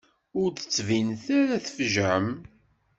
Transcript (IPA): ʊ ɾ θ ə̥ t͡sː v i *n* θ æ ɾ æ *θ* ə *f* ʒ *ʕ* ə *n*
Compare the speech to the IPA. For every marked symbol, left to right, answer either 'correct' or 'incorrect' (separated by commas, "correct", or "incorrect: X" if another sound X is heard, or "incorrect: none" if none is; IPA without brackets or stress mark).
correct, correct, correct, correct, incorrect: m